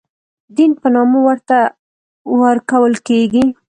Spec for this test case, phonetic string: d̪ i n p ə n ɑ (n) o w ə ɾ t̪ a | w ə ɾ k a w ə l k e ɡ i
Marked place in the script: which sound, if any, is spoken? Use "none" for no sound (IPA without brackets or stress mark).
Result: m